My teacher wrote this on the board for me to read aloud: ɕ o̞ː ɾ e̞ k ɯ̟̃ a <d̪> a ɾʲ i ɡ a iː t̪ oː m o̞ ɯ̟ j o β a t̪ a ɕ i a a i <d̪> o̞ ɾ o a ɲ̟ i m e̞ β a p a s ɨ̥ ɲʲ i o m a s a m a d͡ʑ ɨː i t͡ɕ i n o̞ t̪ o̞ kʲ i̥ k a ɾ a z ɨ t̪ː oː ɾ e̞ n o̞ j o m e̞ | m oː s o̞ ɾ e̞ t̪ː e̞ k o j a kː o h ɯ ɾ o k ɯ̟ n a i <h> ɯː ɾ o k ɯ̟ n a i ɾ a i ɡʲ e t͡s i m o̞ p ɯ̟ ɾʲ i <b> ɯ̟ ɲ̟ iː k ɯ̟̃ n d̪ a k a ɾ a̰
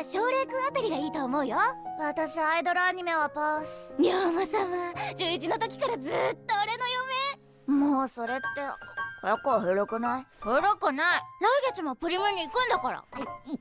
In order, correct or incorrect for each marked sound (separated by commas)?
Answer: incorrect, correct, correct, incorrect